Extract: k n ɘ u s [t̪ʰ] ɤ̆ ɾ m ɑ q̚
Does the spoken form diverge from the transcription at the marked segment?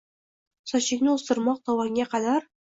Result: yes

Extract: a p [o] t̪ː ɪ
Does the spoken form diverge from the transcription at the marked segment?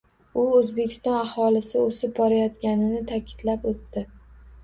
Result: no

